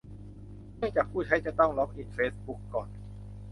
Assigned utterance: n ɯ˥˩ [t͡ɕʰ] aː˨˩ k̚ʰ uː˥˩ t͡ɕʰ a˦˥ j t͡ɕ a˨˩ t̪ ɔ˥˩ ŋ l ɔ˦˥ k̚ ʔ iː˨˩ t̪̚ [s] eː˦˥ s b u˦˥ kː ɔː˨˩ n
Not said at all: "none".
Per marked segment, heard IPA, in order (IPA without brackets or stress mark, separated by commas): t͡ɕ, f